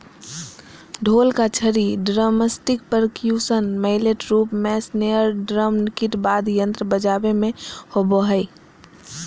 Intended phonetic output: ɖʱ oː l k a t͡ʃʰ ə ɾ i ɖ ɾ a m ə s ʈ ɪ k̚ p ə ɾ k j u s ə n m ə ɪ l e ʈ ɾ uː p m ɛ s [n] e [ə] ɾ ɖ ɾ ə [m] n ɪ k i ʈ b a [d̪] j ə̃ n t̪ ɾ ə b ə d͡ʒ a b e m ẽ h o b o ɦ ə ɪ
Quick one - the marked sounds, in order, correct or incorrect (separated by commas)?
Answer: correct, correct, correct, correct